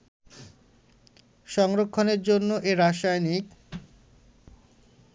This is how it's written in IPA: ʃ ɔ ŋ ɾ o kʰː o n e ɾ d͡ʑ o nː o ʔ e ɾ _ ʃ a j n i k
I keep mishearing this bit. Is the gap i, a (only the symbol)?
a